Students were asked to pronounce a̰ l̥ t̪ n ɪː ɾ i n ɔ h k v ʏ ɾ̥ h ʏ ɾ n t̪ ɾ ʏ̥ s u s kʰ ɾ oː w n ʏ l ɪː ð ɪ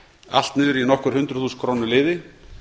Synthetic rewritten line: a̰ l̥ t̪ n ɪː ɾ i n ɔ h k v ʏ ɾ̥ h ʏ n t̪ ɾ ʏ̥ θ u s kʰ ɾ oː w n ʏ l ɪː ð ɪ